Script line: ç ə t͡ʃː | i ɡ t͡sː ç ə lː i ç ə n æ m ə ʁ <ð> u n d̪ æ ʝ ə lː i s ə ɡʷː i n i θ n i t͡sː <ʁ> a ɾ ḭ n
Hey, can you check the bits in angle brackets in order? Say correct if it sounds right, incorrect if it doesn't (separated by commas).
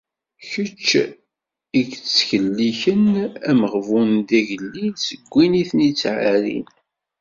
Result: incorrect, incorrect